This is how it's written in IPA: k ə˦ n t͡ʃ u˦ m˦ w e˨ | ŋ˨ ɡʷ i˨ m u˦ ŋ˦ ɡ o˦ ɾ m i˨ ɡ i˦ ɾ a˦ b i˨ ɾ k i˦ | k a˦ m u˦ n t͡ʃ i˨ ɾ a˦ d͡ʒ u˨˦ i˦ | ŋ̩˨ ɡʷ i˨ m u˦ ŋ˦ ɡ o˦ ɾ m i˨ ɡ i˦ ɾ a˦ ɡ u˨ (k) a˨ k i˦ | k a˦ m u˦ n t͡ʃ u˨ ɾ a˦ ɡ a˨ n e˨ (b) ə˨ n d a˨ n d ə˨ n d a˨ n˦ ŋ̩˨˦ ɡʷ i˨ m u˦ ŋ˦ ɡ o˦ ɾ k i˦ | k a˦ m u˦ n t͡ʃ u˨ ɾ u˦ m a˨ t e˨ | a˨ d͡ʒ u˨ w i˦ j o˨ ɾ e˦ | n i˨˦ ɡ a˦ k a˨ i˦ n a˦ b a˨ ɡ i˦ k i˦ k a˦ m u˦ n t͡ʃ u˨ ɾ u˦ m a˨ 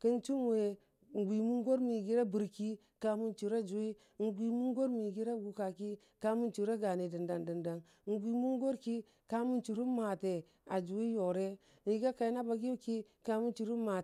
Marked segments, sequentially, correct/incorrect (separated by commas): correct, incorrect